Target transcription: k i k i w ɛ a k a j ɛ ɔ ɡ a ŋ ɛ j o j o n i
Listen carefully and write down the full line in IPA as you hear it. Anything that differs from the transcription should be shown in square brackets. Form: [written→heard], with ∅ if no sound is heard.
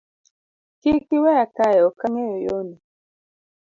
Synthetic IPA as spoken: k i k i w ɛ a k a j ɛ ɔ [ɡ→k] a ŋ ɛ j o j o n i